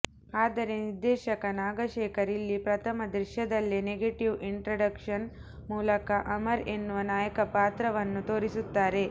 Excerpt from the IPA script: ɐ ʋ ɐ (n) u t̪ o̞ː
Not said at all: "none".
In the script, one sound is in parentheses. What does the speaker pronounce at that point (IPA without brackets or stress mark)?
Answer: nː